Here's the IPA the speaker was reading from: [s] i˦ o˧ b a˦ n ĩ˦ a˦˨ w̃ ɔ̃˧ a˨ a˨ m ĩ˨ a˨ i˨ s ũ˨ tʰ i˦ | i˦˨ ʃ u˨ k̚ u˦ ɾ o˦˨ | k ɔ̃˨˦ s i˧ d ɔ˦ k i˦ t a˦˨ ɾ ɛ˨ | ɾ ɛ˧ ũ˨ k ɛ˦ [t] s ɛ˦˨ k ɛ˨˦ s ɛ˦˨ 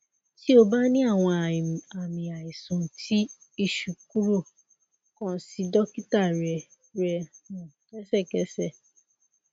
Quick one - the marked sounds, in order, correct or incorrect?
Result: incorrect: t, incorrect: none

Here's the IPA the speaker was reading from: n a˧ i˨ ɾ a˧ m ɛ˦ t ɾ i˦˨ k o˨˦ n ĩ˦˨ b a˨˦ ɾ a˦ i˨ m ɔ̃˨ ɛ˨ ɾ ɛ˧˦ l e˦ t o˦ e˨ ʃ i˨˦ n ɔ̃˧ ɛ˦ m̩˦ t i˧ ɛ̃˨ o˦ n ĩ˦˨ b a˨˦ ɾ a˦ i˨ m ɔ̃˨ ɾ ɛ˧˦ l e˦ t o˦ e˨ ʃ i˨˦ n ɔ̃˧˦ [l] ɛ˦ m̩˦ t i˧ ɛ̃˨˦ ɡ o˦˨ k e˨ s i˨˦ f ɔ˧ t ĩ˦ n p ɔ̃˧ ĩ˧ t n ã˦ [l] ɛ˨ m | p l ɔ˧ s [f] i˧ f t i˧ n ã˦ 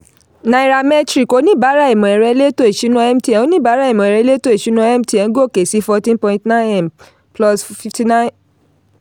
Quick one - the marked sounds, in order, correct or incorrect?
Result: incorrect: none, incorrect: none, correct

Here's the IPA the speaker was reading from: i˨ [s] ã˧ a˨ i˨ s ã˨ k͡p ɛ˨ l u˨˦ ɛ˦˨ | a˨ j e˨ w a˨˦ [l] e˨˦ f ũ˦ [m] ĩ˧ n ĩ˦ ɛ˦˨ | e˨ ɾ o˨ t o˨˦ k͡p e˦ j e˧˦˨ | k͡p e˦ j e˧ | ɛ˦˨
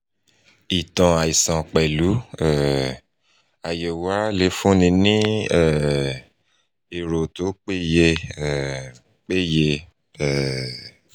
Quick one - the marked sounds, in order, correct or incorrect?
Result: incorrect: t, correct, incorrect: n

